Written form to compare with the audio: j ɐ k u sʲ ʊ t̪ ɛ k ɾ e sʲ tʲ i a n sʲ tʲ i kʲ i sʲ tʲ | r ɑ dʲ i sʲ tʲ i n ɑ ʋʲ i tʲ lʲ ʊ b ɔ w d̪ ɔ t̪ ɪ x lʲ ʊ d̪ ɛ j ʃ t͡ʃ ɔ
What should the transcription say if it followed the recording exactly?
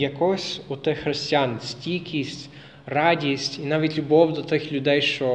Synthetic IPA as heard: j ɐ k ɔ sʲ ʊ t̪ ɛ x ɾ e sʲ tʲ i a n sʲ tʲ i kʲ i sʲ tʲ | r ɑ dʲ i sʲ tʲ i n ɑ ʋʲ i tʲ lʲ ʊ b ɔ w d̪ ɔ t̪ ɪ x lʲ ʊ d̪ ɛ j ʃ t͡ʃ ɔ